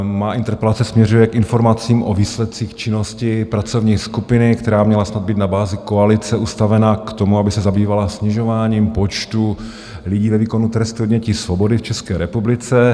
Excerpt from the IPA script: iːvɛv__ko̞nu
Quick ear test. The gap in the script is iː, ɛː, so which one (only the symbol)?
iː